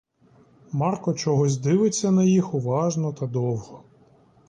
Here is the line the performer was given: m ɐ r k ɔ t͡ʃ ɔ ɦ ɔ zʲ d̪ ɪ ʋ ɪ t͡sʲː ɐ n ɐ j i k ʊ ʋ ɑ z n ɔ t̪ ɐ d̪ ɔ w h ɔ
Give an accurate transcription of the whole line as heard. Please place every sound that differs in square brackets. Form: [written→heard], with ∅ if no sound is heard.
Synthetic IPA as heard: m [ɐ→ɑ] r k ɔ t͡ʃ ɔ ɦ ɔ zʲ d̪ ɪ ʋ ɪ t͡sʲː ɐ n ɐ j i [k→x] ʊ ʋ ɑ [z→ʒ] n ɔ t̪ ɐ d̪ ɔ w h ɔ